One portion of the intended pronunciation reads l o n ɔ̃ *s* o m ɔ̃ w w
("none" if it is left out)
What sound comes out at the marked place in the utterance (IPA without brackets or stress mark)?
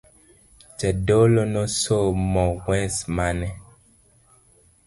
s